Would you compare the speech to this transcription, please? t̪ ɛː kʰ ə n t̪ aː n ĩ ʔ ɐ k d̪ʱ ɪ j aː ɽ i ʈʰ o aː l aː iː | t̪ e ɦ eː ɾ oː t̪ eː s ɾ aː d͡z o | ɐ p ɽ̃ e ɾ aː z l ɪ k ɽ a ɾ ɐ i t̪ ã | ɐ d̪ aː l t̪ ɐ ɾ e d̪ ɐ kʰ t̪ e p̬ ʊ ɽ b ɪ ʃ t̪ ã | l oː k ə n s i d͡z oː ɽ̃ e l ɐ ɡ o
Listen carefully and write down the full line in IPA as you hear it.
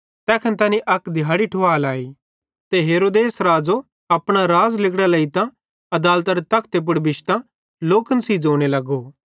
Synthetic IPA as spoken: t̪ ɛː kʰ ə n t̪ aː n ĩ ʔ ɐ k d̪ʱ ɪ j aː ɽ i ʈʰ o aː l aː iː | t̪ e ɦ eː ɾ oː d̪ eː s ɾ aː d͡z o | ɐ p ɽ̃ a ɾ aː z l ɪ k ɽ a l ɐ i t̪ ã | ɐ d̪ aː l t̪ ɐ ɾ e t̪ ɐ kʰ t̪ e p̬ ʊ ɽ b ɪ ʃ t̪ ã | l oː k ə n s i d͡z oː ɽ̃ e l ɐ ɡ o